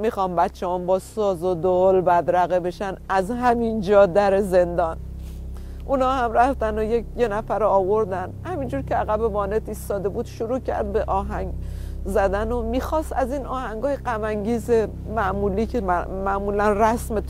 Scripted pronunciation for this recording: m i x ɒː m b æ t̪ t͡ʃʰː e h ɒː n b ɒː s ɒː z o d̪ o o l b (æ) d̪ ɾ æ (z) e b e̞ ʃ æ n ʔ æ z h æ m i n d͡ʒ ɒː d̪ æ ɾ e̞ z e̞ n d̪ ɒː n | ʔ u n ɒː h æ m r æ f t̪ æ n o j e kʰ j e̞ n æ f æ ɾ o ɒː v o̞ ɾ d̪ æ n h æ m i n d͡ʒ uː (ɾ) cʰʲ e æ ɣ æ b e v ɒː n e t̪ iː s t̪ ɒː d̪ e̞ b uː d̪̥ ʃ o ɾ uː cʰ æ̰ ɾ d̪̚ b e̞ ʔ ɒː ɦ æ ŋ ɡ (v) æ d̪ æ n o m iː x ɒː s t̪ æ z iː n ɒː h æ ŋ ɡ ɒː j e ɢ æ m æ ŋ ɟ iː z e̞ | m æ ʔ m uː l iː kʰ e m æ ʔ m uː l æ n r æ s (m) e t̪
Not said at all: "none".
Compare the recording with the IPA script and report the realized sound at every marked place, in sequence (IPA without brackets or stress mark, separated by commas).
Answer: æ, ɣ, ɾ, z, m